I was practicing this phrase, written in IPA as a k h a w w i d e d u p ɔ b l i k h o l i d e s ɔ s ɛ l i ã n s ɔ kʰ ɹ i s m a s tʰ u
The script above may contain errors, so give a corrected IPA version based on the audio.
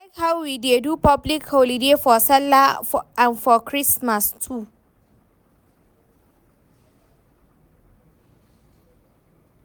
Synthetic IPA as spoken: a k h a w w i d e d u p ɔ b l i k h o l i d e f ɔ s ɛ l a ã n f ɔ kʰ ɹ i s m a s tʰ u

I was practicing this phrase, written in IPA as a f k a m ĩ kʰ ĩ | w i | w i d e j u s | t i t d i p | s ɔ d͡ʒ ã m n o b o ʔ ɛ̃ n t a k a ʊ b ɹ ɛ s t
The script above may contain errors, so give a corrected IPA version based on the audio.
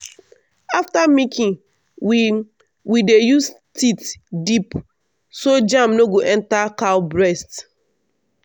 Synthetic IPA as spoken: a f t a m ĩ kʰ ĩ | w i | w i d e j u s | t i t d i p | s o d͡ʒ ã m n o ɡ o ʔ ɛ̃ n t a k a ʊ b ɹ ɛ s t

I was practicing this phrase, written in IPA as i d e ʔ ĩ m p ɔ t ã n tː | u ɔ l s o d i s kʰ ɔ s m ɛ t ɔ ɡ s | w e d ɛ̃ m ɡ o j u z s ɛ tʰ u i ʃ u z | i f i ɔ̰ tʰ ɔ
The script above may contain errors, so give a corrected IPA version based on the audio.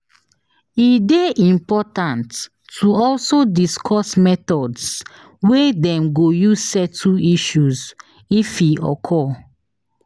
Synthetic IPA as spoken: i d e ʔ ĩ m p ɔ t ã n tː | u ɔ l s o d i s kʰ ɔ s m ɛ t ɔ d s | w e d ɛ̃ m ɡ o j u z s ɛ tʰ u i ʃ u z | i f i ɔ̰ kʰ ɔ

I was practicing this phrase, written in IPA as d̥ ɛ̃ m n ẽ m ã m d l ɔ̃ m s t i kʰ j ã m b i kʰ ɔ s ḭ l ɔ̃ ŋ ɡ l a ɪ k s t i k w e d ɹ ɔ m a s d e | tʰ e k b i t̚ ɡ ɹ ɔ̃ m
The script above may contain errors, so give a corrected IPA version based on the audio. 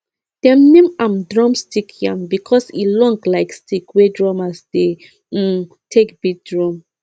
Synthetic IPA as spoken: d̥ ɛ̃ m n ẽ m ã m d ɹ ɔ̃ m s t i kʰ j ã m b i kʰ ɔ s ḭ l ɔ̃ ŋ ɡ l a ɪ k s t i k w e d ɹ ɔ m a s d e | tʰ e k b i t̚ d ɹ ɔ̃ m

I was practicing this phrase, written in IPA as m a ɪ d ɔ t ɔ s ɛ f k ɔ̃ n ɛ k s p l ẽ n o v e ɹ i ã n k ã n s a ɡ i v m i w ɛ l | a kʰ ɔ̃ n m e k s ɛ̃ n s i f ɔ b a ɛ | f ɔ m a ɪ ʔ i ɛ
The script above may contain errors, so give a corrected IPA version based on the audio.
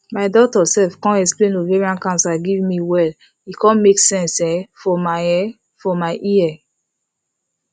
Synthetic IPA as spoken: m a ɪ d ɔ t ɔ s ɛ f k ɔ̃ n ɛ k s p l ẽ n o v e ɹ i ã n k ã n s a ɡ i v m i w ɛ l | i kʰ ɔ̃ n m e k s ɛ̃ n s ɛ f ɔ m a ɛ | f ɔ m a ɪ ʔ i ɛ

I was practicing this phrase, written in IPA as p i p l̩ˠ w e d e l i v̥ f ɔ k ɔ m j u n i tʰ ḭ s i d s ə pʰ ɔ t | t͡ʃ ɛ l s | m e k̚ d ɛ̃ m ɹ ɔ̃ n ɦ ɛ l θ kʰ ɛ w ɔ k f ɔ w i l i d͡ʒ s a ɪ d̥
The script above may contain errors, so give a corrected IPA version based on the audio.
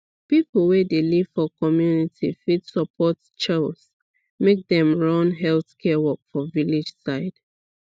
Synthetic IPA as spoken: p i p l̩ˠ w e d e l i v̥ f ɔ k ɔ m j u n i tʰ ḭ f i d s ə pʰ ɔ t | t͡ʃ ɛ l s | m e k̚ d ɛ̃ m ɹ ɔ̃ n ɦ ɛ l θ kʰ ɛ w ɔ k f ɔ v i l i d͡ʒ s a ɪ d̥

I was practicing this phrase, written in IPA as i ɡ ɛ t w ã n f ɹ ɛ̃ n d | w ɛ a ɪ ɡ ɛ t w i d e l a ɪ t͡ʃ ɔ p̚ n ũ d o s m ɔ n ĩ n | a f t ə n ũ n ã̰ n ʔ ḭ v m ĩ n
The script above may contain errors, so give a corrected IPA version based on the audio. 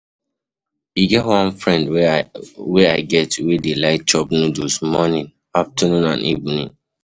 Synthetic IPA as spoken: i ɡ ɛ t w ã n f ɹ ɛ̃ n d | w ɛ a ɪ ɡ ɛ t w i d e l a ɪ t͡ʃ ɔ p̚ n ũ d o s m ɔ n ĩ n | a f t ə n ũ n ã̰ n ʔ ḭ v n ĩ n

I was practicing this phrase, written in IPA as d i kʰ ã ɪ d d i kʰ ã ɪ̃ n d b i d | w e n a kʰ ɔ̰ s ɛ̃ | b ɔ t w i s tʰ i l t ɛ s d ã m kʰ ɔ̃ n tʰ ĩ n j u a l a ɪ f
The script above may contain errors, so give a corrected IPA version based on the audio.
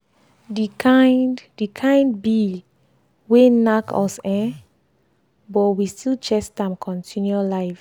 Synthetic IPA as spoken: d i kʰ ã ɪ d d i kʰ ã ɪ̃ n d b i | w e n a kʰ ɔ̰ s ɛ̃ | b ɔ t w i s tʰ i l t͡ʃ ɛ s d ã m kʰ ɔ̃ n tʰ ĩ n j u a l a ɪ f

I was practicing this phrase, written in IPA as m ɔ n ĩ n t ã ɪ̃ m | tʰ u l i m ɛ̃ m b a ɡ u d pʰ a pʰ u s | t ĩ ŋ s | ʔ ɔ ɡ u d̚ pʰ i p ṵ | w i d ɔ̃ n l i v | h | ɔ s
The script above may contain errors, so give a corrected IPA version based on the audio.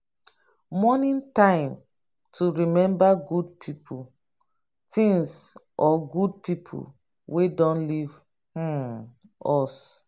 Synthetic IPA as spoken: m ɔ n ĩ n t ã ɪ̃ m | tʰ u ɹ i m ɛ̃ m b a ɡ u d pʰ i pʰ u | t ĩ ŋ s | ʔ ɔ ɡ u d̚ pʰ i pʰ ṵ | w e d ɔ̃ n l i v | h | ɔ s

